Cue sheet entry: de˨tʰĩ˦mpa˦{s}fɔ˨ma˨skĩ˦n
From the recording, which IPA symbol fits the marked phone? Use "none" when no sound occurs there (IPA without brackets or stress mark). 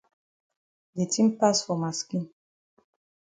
s